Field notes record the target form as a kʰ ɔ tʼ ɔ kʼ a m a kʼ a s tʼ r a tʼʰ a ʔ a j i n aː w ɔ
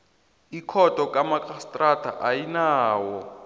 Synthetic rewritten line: i kʰ ɔ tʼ ɔ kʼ a m a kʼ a s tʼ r a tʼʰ a ʔ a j i n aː w ɔ